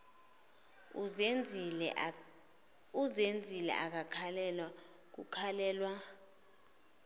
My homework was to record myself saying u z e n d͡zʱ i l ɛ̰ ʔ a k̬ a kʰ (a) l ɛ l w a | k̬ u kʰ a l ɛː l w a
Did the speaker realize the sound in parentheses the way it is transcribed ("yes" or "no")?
yes